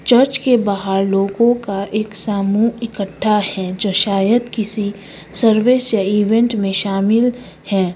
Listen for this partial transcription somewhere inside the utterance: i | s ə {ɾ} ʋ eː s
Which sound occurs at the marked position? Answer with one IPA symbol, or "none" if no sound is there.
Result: ɾ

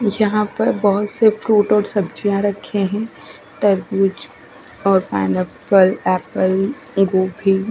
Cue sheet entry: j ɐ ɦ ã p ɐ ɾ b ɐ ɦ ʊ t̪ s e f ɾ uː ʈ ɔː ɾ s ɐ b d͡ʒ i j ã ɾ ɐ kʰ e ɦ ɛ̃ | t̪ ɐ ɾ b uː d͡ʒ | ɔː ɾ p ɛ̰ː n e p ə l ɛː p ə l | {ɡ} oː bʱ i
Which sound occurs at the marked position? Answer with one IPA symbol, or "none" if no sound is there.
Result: ɡ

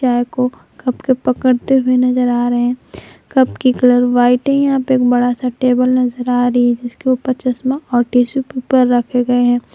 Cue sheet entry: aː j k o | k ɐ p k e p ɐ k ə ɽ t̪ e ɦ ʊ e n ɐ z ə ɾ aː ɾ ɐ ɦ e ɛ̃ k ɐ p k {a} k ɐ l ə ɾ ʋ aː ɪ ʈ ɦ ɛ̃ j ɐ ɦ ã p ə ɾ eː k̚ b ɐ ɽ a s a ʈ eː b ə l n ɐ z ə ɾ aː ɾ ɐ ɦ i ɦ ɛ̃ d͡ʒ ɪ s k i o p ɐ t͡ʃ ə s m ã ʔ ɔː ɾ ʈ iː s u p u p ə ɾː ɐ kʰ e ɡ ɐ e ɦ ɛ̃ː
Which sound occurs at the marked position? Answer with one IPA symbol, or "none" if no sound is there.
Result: i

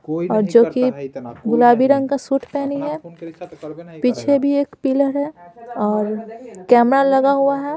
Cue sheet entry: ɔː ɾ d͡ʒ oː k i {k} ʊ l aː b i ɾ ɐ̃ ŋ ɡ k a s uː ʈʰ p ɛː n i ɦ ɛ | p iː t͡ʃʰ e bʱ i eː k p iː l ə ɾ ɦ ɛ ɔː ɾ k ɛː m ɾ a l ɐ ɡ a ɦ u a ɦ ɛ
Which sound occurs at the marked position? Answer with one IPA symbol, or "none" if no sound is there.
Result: ɡ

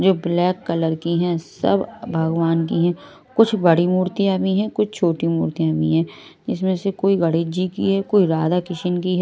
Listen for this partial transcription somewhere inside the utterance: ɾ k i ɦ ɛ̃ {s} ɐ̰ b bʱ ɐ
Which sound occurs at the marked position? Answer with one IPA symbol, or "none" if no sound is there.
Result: s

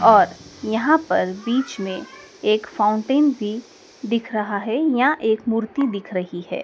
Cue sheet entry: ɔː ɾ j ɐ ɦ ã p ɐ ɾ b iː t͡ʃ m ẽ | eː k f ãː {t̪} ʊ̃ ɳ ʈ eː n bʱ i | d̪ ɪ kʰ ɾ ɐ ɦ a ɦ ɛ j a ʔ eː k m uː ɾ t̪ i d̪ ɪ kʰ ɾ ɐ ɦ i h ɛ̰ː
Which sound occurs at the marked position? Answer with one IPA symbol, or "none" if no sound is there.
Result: none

